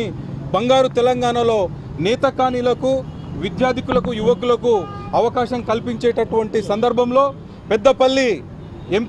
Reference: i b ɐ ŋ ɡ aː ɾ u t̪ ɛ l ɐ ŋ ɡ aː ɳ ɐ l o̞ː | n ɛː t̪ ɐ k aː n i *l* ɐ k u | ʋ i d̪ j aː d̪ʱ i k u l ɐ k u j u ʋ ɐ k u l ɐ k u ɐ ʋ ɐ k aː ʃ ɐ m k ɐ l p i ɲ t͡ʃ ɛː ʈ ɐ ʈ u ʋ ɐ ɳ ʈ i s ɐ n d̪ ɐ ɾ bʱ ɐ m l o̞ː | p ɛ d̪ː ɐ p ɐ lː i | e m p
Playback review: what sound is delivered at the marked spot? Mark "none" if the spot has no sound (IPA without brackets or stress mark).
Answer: l